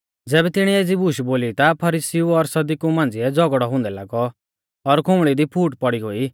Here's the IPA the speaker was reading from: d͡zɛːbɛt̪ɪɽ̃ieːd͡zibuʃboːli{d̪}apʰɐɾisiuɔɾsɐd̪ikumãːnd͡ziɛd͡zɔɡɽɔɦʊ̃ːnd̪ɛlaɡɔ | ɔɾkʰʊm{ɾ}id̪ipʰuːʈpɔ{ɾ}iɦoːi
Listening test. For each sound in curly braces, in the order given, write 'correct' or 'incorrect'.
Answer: incorrect: t̪, incorrect: ɭ, incorrect: ɽ

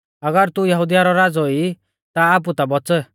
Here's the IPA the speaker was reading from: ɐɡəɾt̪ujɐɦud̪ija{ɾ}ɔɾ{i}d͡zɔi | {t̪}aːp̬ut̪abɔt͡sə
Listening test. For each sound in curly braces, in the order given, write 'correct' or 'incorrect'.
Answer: correct, incorrect: a, correct

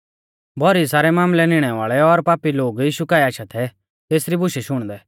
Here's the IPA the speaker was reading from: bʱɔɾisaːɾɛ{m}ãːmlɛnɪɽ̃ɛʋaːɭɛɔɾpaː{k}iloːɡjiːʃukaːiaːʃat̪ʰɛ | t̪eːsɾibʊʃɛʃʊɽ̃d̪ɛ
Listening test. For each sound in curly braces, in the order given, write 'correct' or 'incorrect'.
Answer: correct, incorrect: p

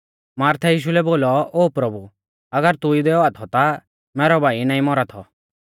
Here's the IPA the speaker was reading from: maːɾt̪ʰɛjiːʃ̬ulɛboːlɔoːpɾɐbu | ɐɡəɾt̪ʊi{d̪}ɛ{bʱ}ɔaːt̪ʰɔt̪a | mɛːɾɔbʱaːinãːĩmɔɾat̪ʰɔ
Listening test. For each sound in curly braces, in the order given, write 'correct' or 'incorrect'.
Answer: correct, incorrect: none

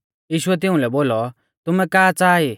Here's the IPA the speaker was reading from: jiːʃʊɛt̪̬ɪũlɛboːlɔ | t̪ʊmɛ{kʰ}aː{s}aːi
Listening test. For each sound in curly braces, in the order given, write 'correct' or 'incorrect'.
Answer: incorrect: k, incorrect: t͡s

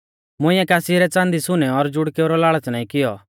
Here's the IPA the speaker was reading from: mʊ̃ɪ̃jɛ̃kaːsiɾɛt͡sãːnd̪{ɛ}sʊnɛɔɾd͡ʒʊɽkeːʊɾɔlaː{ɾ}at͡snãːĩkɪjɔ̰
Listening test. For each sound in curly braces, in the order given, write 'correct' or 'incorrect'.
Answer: incorrect: i, incorrect: ɭ

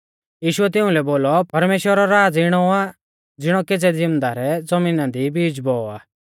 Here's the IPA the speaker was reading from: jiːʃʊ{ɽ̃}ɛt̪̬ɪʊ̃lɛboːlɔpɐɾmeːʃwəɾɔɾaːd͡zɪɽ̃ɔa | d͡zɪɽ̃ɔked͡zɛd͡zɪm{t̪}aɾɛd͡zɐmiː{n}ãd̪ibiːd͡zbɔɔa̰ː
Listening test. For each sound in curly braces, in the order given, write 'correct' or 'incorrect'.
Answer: incorrect: none, incorrect: d̪, correct

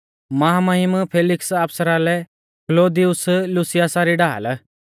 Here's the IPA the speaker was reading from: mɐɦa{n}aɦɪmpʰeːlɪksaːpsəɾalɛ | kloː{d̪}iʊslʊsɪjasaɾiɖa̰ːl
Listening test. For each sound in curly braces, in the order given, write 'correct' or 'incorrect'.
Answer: incorrect: m, correct

